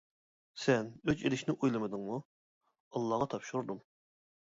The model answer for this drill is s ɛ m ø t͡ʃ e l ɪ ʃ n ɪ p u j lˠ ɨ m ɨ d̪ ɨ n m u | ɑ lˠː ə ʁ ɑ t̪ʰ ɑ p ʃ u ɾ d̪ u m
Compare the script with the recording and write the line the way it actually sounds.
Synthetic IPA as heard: s ɛ n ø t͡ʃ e l ɪ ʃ n ɪ ʔ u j lˠ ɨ m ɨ d̪ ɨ ŋ m u | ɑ lˠː ɑ ʁ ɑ t̪ʰ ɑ p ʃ u ɾ d̪ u m